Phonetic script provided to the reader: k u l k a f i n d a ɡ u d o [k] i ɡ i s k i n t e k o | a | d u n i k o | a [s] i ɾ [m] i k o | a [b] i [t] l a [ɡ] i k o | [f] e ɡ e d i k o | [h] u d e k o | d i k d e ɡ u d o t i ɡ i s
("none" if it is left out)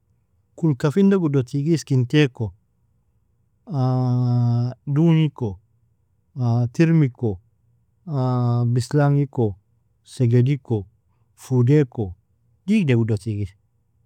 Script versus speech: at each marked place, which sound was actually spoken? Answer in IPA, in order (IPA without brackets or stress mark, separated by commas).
t, t, m, b, s, ŋ, s, f